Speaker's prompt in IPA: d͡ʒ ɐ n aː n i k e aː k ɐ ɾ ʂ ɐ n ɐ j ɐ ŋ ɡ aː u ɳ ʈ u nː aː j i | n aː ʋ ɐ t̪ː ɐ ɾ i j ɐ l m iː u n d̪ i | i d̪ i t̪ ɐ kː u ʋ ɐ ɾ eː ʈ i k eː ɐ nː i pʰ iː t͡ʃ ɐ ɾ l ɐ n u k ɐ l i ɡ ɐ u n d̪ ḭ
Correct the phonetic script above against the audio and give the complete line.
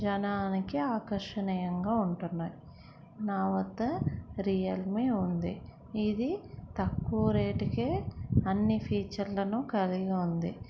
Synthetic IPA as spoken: d͡ʒ ɐ n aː n i k i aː k ɐ ɾ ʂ ɐ n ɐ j ɐ ŋ ɡ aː u ɳ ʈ u nː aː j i | n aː ʋ ɐ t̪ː ɐ ɾ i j ɐ l m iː u n d̪ i | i d̪ i t̪ ɐ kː u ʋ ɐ ɾ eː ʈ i k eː ɐ nː i pʰ iː t͡ʃ ɐ ɾ l ɐ n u k ɐ l i ɡ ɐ u n d̪ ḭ